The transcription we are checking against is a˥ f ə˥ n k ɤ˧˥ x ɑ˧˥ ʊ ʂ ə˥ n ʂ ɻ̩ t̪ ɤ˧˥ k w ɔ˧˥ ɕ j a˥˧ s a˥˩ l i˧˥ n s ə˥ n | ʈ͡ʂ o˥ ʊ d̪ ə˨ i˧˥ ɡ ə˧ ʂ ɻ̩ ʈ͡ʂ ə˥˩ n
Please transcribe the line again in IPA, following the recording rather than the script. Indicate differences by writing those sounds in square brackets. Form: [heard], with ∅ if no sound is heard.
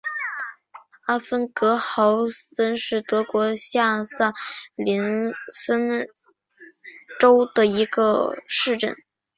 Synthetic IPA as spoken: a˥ f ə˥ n k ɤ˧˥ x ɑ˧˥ ʊ [s] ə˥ n ʂ ɻ̩ t̪ ɤ˧˥ k w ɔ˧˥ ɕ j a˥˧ s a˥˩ l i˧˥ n s ə˥ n | ʈ͡ʂ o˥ ʊ d̪ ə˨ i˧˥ ɡ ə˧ ʂ ɻ̩ ʈ͡ʂ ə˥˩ n